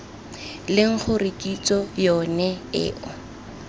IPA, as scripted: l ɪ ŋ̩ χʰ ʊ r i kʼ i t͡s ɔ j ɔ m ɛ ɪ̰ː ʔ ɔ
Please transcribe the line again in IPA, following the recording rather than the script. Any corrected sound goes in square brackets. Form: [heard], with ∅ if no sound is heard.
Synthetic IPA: l ɪ ŋ̩ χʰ ʊ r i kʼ i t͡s ɔ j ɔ [n] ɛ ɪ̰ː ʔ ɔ